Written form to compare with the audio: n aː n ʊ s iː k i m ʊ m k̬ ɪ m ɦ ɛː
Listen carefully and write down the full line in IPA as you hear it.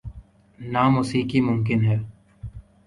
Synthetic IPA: n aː m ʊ s iː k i m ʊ m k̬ ɪ n ɦ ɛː

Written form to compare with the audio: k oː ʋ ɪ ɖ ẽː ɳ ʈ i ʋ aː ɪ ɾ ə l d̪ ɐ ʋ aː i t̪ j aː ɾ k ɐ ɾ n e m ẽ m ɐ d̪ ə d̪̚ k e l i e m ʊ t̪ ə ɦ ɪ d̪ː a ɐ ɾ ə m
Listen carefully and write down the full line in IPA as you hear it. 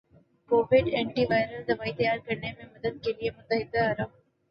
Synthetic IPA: k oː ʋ ɪ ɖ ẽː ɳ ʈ i ʋ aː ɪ ɾ ə l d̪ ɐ ʋ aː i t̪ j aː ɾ k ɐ ɾ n e m ẽ m ɐ d̪ ə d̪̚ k e l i e m ʊ t̪ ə ɦ ɪ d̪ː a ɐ ɾ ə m

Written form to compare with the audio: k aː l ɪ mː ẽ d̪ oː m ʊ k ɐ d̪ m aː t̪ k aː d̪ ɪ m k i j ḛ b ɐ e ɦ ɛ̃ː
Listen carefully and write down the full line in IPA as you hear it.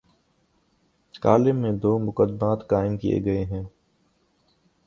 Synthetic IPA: k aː l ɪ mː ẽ d̪ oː m ʊ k ə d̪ m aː t̪ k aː ɪ m k i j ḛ ɡ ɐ e ɦ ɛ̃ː

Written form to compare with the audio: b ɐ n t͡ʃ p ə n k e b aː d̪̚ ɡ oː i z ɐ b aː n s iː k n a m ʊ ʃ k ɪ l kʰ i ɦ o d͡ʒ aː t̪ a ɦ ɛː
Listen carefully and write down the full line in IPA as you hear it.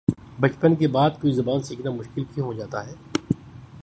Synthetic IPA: b ɐ t͡ʃ p ə n k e b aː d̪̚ k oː i z ɐ b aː n s iː k n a m ʊ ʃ k ɪ l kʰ i ɦ o d͡ʒ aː t̪ a ɦ ɛː

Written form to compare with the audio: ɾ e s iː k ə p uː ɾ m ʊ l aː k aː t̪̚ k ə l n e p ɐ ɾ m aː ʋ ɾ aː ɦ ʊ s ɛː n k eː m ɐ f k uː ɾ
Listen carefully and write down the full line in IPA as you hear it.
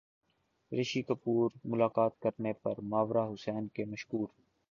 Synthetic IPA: ɾ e ʃ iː k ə p uː ɾ m ʊ l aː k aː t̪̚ k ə ɾ n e p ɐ ɾ m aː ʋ ɾ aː ɦ ʊ s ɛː n k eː m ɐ ʃ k uː ɾ

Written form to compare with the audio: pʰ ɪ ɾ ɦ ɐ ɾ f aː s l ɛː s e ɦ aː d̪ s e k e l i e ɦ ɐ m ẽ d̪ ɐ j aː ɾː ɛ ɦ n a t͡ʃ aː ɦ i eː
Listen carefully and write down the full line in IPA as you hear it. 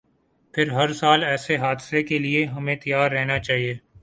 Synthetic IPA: pʰ ɪ ɾ ɦ ɐ ɾ s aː l ɛː s e ɦ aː d̪ s e k e l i e ɦ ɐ m ẽ t̪ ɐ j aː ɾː ɛ ɦ n a t͡ʃ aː ɦ i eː

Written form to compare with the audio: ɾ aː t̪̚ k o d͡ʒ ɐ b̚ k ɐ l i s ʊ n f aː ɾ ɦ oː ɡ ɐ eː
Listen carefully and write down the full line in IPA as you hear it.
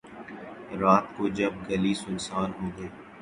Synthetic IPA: ɾ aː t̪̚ k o d͡ʒ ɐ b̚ ɡ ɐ l i s ʊ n s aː ɾ ɦ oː ɡ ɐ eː

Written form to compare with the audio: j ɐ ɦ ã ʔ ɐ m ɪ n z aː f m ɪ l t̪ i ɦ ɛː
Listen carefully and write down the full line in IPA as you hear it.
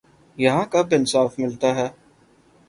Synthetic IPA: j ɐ ɦ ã k ɐ b ɪ n s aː f m ɪ l t̪ a ɦ ɛː

